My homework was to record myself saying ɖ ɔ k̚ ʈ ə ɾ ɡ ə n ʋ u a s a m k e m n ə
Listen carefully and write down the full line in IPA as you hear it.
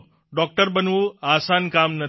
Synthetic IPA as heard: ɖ ɔ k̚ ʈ ə ɾ b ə n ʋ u a s a n k a m n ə

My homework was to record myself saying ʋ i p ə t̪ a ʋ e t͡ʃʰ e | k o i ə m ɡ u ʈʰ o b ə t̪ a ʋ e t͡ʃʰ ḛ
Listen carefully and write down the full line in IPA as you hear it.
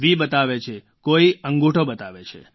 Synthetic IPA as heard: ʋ i b ə t̪ a ʋ e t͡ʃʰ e | k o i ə ŋ ɡ u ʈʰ o b ə t̪ a ʋ e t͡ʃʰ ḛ

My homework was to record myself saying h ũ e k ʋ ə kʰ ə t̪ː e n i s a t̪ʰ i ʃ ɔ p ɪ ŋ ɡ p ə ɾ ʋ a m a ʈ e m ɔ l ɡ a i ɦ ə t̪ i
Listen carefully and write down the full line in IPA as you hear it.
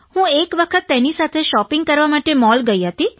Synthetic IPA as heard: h ũ e k ʋ ə kʰ ə t̪ː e n i s a t̪ʰ e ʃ ɔ p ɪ ŋ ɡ k ə ɾ ʋ a m a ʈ e m ɔ l ɡ ə i ɦ ə t̪ i

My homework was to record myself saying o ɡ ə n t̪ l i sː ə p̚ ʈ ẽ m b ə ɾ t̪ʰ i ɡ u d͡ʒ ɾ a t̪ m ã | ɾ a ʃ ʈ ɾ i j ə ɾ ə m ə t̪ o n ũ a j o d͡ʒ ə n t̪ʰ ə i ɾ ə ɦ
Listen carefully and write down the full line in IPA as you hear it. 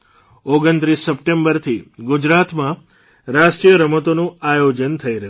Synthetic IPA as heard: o ɡ ə n t̪ ɾ i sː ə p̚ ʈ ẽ m b ə ɾ t̪ʰ i ɡ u d͡ʒ ɾ a t̪ m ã | ɾ a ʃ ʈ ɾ i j ə ɾ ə m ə t̪ o n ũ a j o d͡ʒ ə n t̪ʰ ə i ɾ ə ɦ

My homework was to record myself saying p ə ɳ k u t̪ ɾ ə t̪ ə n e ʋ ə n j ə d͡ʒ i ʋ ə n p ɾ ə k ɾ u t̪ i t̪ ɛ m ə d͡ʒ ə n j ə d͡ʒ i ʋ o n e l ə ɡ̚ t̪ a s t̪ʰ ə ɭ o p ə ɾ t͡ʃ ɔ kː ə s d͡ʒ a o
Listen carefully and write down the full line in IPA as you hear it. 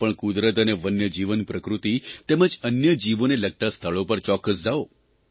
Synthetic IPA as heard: p ə ɳ k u d̪ ɾ ə t̪ ə n e ʋ ə n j ə d͡ʒ i ʋ ə n p ɾ ə k ɾ u t̪ i t̪ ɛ m ə d͡ʒ ə n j ə d͡ʒ i ʋ o n e l ə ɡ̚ t̪ a s t̪ʰ ə ɭ o p ə ɾ t͡ʃ ɔ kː ə s d͡ʒ a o

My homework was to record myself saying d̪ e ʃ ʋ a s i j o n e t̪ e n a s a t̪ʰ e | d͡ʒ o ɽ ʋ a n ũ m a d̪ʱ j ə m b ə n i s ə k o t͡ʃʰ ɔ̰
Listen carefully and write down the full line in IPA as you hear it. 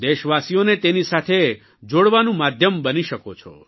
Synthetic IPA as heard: d̪ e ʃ ʋ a s i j o n e t̪ e n i s a t̪ʰ e | d͡ʒ o ɽ ʋ a n ũ m a d̪ʱ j ə m b ə n i ʃ ə k o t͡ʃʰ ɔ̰

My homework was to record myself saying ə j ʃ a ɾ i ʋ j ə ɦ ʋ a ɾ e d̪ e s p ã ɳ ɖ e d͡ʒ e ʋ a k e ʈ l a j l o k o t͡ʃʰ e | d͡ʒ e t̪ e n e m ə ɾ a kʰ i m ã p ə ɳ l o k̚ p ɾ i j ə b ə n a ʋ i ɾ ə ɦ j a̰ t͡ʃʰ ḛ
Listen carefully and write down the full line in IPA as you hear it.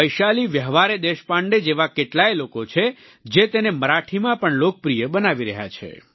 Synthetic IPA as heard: ə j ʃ a l i ʋ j ə ɦ ʋ a ɾ e d̪ e ʃ p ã ɳ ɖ e d͡ʒ e ʋ a k e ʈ l a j l o k o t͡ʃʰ e | d͡ʒ e t̪ e n e m ə ɾ a ʈʰ i m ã p ə ɳ l o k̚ p ɾ i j ə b ə n a ʋ i ɾ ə ɦ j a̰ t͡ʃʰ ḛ

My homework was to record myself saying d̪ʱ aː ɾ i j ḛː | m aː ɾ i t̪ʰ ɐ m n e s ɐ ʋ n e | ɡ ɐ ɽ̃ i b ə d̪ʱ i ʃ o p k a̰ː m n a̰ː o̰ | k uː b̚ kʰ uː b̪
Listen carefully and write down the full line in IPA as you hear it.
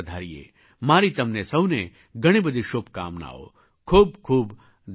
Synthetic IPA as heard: d̪ʱ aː ɾ i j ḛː | m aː ɾ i t̪ ɐ m n e s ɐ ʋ n e | ɡ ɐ ɽ̃ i b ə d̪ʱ i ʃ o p k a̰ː m n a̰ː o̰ | kʰ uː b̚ kʰ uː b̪

